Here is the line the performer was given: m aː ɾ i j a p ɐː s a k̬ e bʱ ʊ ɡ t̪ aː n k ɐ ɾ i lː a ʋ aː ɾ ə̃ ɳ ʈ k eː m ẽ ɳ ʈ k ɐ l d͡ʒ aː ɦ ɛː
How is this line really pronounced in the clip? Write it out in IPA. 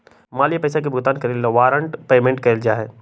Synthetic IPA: m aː l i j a p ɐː s a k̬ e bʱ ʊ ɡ t̪ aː n k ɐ ɾ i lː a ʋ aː ɾ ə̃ ɳ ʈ p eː m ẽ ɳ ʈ k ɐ l d͡ʒ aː ɦ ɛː